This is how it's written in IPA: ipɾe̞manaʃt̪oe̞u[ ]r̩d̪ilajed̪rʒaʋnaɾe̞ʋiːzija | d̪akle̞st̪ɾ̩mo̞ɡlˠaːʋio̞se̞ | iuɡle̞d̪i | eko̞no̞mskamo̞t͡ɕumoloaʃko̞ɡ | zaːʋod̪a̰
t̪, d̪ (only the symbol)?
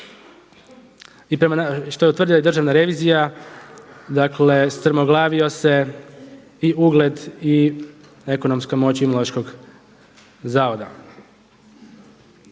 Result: t̪